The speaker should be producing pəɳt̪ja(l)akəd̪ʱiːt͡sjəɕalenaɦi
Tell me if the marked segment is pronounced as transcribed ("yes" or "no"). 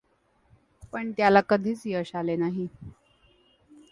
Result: yes